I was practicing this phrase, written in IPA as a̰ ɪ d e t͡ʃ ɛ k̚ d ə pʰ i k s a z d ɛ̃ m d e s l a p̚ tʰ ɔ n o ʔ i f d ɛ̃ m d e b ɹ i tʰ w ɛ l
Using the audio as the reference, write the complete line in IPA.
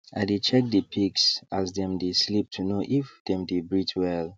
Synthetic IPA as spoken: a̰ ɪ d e t͡ʃ ɛ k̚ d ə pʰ i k s a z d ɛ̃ m d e s l i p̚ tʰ u n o ʔ i f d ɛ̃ m d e b ɹ i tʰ w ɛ l